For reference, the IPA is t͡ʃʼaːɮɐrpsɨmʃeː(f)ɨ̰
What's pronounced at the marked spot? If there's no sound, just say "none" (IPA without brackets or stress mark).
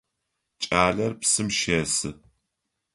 s